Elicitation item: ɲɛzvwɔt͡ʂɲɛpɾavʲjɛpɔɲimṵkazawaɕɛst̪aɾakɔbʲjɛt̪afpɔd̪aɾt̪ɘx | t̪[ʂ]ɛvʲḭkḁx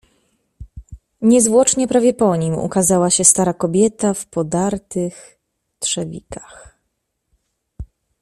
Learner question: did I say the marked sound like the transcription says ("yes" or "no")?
yes